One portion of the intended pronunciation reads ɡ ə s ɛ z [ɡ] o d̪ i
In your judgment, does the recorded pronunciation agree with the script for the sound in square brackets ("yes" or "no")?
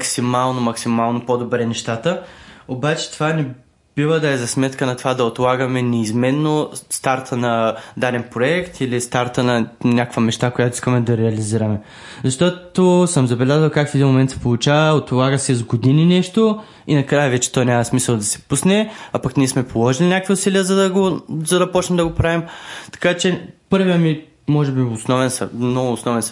yes